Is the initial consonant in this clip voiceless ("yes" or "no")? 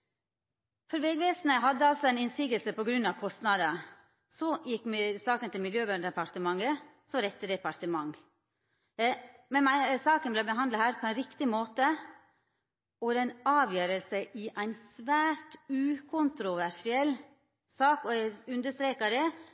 yes